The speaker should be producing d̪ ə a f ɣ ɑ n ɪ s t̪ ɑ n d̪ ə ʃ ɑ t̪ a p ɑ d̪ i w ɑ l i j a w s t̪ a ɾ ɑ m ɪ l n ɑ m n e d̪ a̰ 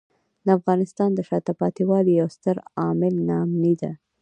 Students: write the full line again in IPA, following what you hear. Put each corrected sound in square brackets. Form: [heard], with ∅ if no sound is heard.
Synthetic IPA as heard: d̪ ə a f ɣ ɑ n ɪ s t̪ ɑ n d̪ ə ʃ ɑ t̪ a p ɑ [t̪] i w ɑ l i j a w s t̪ [ə] ɾ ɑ m ɪ l n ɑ m n [i] d̪ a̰